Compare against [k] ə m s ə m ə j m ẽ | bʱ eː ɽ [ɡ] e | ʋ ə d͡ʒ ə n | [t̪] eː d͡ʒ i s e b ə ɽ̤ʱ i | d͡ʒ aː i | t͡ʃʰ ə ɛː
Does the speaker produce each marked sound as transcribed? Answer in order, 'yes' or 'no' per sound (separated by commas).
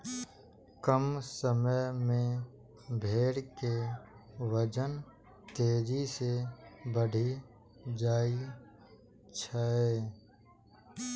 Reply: yes, no, yes